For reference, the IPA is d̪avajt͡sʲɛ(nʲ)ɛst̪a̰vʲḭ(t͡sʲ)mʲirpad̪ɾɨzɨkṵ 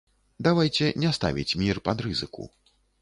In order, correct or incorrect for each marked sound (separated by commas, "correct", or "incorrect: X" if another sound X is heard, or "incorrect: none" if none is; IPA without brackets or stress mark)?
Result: correct, correct